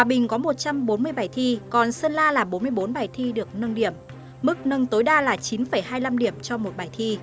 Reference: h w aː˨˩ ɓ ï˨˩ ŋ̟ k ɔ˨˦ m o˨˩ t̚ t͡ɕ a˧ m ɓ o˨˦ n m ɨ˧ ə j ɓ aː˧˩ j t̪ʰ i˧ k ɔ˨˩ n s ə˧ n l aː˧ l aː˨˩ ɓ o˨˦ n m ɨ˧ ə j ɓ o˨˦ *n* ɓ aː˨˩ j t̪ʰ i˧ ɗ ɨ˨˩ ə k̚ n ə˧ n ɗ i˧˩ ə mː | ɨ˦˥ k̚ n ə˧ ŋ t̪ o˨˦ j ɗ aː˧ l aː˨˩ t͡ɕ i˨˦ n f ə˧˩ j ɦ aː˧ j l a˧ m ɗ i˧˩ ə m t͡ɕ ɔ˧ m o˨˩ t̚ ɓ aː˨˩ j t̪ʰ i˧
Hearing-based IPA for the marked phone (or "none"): n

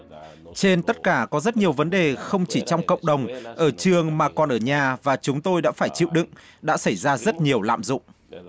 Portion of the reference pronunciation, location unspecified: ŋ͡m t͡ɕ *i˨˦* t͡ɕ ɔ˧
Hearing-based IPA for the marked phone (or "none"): i˧˩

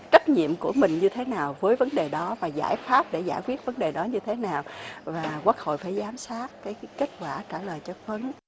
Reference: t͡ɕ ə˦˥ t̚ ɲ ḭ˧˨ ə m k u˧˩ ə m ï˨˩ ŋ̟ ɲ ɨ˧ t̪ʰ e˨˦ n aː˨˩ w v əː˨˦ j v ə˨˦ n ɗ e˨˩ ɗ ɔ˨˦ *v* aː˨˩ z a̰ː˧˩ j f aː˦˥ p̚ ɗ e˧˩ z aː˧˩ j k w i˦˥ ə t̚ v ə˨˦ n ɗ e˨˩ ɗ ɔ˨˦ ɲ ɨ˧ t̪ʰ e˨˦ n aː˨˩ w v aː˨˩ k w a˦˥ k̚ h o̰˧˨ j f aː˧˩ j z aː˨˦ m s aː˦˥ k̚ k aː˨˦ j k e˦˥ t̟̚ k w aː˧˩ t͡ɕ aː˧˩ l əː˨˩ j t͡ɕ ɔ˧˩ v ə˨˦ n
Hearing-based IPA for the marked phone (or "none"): v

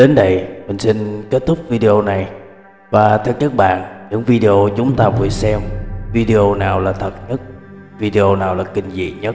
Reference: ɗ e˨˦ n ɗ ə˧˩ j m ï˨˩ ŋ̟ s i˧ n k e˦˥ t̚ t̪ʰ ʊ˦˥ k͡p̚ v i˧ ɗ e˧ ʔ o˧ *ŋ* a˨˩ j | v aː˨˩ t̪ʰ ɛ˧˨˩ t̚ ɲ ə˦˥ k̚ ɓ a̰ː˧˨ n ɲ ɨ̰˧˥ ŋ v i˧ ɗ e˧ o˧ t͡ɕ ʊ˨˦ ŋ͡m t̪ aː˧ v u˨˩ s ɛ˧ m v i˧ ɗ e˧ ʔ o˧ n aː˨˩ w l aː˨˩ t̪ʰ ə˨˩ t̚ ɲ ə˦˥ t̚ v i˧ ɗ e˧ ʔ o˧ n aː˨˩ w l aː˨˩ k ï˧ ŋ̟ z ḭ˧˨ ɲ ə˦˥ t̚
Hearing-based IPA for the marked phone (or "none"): n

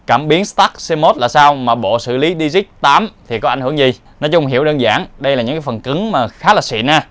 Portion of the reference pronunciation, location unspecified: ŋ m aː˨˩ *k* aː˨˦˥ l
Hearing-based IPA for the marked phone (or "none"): x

